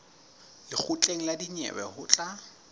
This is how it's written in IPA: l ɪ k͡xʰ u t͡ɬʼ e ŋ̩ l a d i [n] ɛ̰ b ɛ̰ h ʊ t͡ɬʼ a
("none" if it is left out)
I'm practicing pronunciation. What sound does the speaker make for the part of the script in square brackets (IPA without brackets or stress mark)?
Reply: ɲ